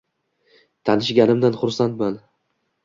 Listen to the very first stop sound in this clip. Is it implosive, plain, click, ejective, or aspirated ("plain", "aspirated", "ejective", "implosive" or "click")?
aspirated